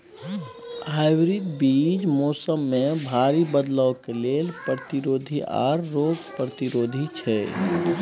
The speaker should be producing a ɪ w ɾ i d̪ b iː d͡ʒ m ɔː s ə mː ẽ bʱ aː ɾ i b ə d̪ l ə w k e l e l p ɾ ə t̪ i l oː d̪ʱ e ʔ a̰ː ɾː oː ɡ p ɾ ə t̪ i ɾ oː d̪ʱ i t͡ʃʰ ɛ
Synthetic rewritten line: a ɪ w ɾ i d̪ b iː d͡ʒ m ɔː s ə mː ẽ bʱ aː ɾ i b ə d̪ l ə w k e l e l p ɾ ə t̪ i ɾ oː d̪ʱ i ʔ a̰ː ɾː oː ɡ p ɾ ə t̪ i ɾ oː d̪ʱ i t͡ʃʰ ɛ